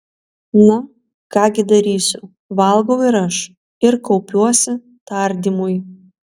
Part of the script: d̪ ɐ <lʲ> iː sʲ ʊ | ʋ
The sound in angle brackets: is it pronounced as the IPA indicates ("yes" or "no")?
no